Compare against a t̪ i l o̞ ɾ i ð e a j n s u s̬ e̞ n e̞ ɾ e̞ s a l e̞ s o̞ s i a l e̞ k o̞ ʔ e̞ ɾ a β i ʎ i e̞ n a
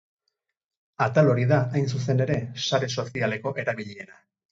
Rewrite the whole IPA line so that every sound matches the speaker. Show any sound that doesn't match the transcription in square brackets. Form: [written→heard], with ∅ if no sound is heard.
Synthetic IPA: a t̪ [i→a] l o̞ ɾ i ð [e→a] a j n s u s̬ e̞ n e̞ ɾ e̞ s a [l→ɾ] e̞ s o̞ s i a l e̞ k o̞ ʔ e̞ ɾ a β i ʎ i e̞ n a

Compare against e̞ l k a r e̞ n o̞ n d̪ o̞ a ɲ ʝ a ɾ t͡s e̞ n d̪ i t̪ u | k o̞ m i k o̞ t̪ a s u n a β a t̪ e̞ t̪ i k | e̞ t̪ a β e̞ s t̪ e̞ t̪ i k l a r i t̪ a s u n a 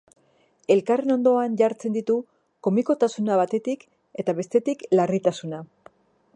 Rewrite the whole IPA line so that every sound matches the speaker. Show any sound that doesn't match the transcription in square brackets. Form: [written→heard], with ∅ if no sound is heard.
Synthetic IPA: e̞ l k a r e̞ n o̞ n d̪ o̞ a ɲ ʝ a ɾ t͡s e̞ n d̪ i t̪ u | k o̞ m i k o̞ t̪ a s u n a β a t̪ e̞ t̪ i k | e̞ t̪ a β e̞ s t̪ e̞ t̪ i k l a r i t̪ a s u n a

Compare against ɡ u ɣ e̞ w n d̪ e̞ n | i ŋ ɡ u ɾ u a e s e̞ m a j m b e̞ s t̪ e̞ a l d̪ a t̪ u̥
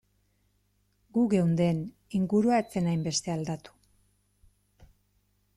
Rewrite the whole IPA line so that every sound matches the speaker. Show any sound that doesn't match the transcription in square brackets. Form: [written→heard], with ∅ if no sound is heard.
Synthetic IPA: ɡ u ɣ e̞ w n d̪ e̞ n | i ŋ ɡ u ɾ u a e [s→t͡s] e̞ [m→n] a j m b e̞ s t̪ e̞ a l d̪ a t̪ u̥

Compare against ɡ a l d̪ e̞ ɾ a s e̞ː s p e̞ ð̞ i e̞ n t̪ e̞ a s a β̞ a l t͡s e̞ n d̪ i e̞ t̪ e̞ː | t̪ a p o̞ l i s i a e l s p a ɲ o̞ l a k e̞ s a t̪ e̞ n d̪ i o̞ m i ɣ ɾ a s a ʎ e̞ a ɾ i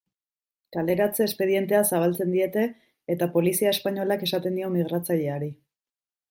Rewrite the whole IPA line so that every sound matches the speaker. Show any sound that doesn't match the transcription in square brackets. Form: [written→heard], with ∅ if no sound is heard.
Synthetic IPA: [ɡ→k] a l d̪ e̞ ɾ a [s→t͡s] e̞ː s p e̞ ð̞ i e̞ n t̪ e̞ a s a β̞ a l t͡s e̞ n d̪ i e̞ t̪ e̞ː | t̪ a p o̞ l i s i a e [l→∅] s p a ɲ o̞ l a k e̞ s a t̪ e̞ n d̪ i o̞ m i ɣ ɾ a [s→t͡s] a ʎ e̞ a ɾ i

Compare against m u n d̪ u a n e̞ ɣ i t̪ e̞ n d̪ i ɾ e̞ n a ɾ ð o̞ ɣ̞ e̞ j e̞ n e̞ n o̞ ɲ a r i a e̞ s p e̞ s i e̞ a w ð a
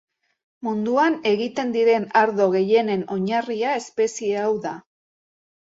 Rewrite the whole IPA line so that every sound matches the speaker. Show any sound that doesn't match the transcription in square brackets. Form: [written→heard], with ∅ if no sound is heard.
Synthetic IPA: m u n d̪ u a n e̞ ɣ i t̪ e̞ n d̪ i ɾ e̞ n a ɾ ð o̞ ɣ̞ e̞ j e̞ n e̞ n o̞ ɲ a r i a e̞ s p e̞ s i e̞ a w ð a

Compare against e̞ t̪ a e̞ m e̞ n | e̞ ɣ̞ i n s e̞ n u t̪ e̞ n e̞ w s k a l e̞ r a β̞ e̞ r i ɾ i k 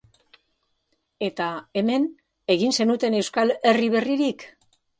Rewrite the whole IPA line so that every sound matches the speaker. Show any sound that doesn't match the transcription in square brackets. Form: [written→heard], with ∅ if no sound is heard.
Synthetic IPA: e̞ t̪ a e̞ m e̞ n | e̞ ɣ̞ i n s e̞ n u t̪ e̞ n e̞ w s k a l e̞ r [a→i] β̞ e̞ r i ɾ i k

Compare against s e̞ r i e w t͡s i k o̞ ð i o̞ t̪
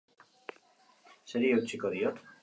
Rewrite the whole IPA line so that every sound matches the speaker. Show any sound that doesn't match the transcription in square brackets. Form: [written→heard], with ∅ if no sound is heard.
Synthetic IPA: s e̞ [r→ɾ] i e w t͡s i k o̞ ð i o̞ t̪

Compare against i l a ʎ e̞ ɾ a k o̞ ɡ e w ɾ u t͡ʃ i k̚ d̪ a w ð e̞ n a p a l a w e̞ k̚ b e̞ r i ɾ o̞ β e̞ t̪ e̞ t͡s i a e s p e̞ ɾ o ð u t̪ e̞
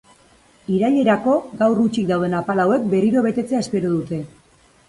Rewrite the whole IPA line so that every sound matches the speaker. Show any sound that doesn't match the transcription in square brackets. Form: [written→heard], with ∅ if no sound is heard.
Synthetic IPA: i [l→ɾ] a ʎ e̞ ɾ a k o̞ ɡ [e→a] w [ɾ→r] u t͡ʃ i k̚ d̪ a w ð e̞ n a p a l a w e̞ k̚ b e̞ r i ɾ o̞ β e̞ t̪ e̞ t͡s [i→e] a e s p e̞ ɾ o ð u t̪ e̞

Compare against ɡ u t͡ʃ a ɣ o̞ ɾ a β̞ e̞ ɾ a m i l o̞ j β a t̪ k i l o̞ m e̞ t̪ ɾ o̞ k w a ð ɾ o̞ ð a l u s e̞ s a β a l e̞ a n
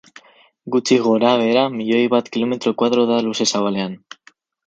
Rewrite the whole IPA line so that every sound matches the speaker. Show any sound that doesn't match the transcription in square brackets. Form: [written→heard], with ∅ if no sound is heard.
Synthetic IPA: ɡ u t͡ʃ [a→i] ɣ o̞ ɾ a β̞ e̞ ɾ a m i [l→ʎ] o̞ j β a t̪ k i l o̞ m e̞ t̪ ɾ o̞ k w a ð ɾ o̞ ð a l u s e̞ s a β a l e̞ a n

